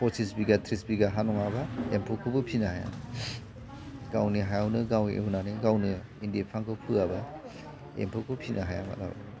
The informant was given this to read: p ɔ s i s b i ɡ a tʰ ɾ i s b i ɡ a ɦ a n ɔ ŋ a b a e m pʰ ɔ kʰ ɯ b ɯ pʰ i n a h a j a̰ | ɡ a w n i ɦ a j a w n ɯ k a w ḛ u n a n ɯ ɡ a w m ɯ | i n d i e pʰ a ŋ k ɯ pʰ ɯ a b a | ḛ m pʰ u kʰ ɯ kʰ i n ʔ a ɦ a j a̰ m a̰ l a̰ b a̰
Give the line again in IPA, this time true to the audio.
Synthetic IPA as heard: p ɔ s i s b i ɡ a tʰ ɾ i s b i ɡ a ɦ a n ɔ ŋ a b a e m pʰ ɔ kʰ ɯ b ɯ pʰ i n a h a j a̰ | ɡ a w n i ɦ a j a w n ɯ ɡ a w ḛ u n a n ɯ ɡ a w n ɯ | i n d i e pʰ a ŋ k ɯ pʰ ɯ a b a | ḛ m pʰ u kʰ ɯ pʰ i n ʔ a ɦ a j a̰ m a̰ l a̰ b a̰